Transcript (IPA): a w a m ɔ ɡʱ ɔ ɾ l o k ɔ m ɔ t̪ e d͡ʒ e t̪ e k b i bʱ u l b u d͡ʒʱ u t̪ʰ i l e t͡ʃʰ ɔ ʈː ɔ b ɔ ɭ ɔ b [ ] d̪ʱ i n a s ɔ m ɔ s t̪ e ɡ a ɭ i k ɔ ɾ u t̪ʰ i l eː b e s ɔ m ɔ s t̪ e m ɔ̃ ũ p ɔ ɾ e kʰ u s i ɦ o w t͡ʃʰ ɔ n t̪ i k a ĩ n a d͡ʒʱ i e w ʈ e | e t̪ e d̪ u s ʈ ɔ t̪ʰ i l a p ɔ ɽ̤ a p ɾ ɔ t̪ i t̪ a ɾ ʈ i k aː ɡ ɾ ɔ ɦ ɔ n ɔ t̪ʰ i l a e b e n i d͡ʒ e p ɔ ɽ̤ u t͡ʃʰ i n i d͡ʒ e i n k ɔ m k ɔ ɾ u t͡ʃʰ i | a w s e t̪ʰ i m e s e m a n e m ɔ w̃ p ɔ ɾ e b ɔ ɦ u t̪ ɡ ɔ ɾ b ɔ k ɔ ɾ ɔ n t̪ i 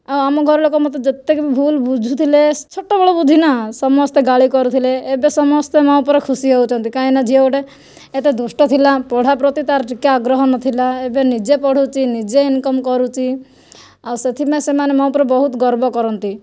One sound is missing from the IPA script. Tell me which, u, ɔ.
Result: u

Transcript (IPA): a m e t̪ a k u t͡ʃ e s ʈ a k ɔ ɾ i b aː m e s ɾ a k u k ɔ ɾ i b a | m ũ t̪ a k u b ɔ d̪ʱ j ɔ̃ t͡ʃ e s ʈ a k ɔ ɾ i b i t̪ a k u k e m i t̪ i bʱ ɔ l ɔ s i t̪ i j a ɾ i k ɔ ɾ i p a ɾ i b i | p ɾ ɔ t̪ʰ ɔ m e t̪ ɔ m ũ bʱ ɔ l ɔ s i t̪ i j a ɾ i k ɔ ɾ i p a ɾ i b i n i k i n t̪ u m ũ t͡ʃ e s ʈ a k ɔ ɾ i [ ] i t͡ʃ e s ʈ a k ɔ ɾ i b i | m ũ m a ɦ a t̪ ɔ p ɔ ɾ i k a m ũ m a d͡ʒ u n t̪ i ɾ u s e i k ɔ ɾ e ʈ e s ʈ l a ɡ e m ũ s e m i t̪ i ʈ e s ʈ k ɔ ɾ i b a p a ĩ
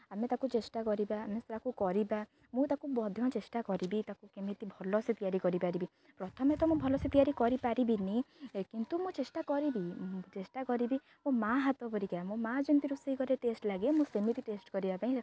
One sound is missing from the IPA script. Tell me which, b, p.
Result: b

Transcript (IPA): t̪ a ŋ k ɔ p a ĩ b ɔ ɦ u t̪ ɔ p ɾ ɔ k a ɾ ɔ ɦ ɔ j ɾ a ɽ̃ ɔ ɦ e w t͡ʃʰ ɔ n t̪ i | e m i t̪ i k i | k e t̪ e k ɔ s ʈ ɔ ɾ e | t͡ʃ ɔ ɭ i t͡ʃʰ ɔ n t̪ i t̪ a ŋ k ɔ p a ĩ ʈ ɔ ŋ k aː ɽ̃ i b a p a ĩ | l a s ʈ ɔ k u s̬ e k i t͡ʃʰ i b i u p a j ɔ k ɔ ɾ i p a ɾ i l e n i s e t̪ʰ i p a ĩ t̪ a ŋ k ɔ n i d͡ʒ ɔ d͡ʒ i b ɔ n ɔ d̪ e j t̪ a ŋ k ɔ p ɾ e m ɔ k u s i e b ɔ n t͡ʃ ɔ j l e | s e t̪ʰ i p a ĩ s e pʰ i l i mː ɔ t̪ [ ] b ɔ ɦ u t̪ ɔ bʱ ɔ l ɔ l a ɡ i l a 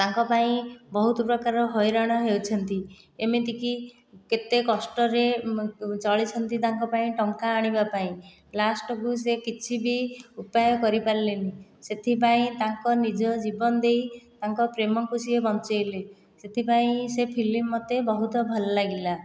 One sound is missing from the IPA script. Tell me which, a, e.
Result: e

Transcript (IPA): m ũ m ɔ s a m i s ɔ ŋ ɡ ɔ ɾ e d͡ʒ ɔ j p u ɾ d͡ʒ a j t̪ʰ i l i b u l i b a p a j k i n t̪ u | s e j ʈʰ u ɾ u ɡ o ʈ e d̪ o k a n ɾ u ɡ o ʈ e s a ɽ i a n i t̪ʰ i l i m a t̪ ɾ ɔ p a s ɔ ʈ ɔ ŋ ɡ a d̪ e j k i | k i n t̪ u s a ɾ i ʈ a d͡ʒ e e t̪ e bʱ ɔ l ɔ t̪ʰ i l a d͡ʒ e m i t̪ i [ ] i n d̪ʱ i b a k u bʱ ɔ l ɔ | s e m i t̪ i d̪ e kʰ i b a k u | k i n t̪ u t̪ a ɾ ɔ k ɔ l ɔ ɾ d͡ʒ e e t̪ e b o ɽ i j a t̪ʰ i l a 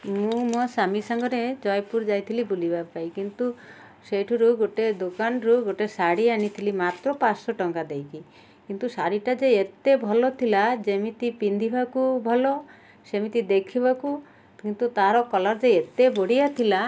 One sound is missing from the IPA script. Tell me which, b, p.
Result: p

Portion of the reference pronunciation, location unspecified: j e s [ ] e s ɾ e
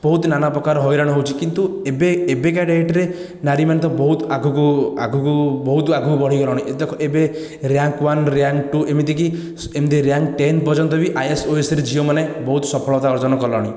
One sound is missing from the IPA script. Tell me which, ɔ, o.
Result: o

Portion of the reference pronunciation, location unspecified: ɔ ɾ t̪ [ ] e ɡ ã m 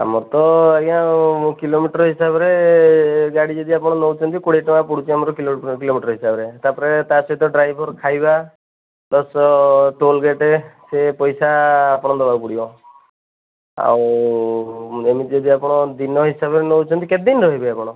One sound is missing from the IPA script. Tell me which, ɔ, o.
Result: ɔ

